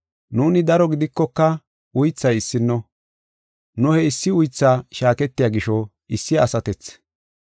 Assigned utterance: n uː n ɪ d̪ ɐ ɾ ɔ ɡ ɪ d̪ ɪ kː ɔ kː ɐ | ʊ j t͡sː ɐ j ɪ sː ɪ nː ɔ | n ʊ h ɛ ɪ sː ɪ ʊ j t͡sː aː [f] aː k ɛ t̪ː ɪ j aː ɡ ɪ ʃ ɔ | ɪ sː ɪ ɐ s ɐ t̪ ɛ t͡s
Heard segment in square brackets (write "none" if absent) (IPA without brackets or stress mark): ʃ